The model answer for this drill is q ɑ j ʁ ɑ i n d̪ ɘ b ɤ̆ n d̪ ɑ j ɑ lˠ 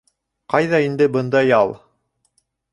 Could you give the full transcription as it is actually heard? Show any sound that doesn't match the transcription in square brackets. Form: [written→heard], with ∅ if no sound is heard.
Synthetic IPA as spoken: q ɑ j [ʁ→ð] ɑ i n d̪ ɘ b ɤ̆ n d̪ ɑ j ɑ lˠ